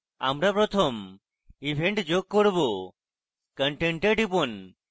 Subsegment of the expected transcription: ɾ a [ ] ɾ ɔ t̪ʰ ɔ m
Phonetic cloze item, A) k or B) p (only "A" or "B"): B